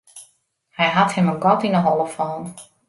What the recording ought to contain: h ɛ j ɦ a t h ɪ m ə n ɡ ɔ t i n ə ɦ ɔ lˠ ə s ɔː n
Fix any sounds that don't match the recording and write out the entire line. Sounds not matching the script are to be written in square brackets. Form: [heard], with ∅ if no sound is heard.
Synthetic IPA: h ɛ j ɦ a t h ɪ m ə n ɡ ɔ t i n ə ɦ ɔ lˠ ə [f] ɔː n